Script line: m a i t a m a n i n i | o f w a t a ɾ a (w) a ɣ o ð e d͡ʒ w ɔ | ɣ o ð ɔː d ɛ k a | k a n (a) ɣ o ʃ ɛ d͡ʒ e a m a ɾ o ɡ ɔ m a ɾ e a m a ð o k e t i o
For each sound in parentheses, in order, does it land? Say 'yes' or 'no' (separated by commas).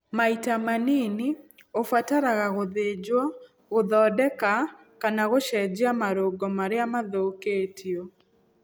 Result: no, yes